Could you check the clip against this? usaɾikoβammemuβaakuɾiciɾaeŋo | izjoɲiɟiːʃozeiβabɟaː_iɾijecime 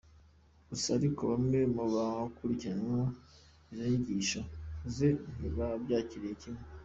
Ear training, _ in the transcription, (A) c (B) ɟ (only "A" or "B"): A